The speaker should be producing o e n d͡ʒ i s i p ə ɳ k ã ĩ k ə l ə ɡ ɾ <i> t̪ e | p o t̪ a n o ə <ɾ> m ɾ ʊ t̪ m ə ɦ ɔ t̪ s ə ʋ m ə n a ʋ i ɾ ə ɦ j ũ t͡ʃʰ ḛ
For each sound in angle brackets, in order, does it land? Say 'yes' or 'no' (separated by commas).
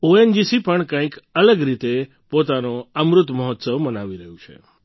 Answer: yes, no